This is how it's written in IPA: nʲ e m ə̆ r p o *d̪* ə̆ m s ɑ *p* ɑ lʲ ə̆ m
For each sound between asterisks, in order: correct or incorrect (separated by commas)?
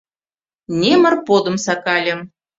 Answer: correct, incorrect